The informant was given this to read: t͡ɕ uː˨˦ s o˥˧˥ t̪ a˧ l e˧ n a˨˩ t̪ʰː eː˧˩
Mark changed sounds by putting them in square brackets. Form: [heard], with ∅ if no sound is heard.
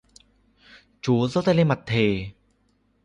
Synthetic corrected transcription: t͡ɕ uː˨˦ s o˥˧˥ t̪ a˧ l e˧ [m] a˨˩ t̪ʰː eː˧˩